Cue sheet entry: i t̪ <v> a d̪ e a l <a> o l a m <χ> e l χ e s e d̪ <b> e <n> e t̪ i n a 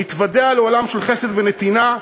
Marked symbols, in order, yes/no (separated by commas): yes, no, no, no, yes